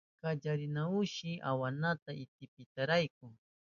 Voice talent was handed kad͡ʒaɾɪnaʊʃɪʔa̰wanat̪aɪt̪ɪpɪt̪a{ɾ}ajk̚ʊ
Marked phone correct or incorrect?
correct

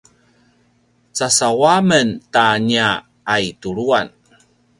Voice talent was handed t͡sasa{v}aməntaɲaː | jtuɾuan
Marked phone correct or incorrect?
incorrect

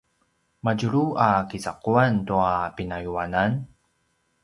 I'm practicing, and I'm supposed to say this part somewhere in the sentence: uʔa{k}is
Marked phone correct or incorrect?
correct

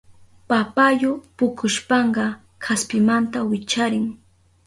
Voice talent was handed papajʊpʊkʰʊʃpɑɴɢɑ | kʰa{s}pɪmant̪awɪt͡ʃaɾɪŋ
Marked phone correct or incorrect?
correct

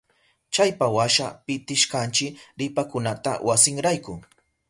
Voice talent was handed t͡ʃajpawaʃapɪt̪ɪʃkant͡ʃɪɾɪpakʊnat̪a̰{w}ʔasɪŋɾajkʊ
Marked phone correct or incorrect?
correct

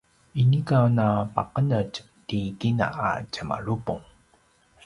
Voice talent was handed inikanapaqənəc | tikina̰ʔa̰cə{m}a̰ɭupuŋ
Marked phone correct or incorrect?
correct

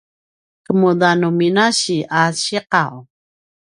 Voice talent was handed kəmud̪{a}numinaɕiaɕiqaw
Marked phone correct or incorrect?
correct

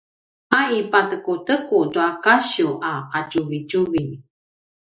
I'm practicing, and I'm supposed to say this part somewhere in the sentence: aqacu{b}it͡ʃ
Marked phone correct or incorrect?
incorrect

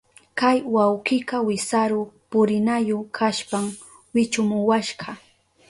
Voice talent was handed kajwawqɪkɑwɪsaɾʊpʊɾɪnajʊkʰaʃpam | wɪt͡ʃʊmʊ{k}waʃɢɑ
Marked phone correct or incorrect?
incorrect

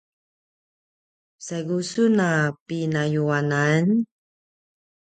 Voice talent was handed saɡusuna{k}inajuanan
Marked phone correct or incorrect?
incorrect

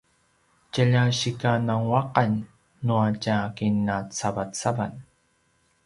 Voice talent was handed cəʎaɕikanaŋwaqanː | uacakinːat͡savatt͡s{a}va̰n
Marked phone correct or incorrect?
correct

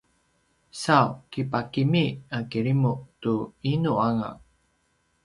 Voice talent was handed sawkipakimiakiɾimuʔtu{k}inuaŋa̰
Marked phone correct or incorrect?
incorrect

